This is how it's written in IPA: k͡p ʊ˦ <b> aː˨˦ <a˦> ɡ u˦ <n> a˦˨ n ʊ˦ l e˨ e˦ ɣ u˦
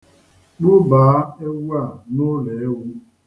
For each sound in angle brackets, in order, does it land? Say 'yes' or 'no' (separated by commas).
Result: yes, no, no